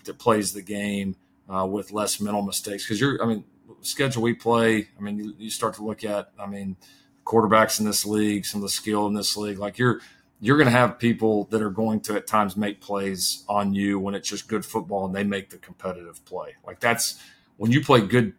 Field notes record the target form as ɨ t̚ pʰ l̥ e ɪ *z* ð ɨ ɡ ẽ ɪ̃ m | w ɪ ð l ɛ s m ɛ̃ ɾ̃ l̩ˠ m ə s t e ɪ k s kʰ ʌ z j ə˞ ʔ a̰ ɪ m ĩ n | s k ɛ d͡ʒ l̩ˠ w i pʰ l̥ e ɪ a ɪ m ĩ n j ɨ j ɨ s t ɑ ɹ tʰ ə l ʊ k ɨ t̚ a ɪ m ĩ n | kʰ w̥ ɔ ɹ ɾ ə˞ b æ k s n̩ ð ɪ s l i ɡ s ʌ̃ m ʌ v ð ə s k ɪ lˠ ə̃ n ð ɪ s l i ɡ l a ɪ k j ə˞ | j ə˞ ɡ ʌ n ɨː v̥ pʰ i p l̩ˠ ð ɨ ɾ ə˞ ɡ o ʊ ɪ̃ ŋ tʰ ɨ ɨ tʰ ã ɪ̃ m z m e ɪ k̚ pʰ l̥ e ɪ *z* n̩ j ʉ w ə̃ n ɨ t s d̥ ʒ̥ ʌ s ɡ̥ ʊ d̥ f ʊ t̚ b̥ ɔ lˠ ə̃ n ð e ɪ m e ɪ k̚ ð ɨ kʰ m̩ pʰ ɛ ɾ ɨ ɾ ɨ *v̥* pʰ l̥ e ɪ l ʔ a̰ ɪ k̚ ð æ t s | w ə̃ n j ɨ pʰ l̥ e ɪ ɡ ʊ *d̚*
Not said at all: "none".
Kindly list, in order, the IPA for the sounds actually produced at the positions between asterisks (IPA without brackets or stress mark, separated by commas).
z, z, v̥, d̚